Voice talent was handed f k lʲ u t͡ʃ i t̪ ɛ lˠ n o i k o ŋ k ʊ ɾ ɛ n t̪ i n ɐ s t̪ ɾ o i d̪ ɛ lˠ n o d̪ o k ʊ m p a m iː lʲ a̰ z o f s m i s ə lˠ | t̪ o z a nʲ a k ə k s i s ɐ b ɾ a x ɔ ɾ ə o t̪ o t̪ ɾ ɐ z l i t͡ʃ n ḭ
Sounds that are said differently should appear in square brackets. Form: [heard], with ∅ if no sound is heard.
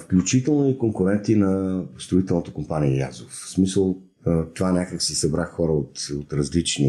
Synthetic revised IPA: f k lʲ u t͡ʃ i t̪ ɛ lˠ n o i k o ŋ k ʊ ɾ ɛ n t̪ i n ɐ s t̪ ɾ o i [t̪] ɛ lˠ n o [t̪] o k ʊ m p a [n] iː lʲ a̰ z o f s m i s ə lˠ | t̪ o [v] a nʲ a k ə k s i s ɐ b ɾ a x ɔ ɾ ə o t̪ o t̪ ɾ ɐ z l i t͡ʃ n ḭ